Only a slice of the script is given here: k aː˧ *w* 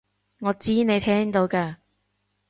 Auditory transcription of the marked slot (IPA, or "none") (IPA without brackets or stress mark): none